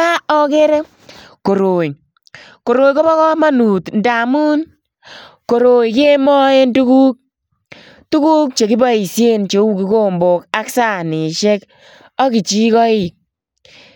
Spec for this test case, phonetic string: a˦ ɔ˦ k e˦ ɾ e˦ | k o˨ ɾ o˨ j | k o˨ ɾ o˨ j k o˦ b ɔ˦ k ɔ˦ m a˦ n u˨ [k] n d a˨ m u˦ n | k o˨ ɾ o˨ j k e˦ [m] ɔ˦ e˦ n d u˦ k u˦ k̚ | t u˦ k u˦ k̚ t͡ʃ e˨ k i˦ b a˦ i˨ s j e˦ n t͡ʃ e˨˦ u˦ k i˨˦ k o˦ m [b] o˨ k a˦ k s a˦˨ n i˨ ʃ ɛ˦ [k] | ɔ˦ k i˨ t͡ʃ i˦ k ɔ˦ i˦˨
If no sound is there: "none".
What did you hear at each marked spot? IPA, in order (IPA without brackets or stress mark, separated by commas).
t, m, b, k